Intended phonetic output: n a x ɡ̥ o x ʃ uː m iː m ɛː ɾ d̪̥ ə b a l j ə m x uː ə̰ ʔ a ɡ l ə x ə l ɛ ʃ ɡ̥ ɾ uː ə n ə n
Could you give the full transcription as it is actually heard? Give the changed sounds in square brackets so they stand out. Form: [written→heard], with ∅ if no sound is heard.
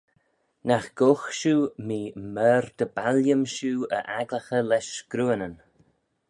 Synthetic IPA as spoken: n a x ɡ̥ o x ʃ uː m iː m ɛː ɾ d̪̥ ə b a l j ə m [x→ʃ] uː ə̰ ʔ a ɡ l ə x ə l ɛ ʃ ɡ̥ ɾ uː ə n ə n